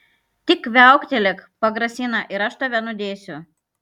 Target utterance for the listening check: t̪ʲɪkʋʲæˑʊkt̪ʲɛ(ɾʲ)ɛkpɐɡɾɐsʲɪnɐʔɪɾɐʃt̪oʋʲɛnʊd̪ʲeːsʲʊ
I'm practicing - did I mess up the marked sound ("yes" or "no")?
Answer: yes